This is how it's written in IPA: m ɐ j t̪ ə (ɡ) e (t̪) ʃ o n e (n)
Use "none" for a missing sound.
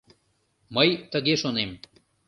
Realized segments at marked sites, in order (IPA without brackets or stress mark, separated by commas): ɡ, none, m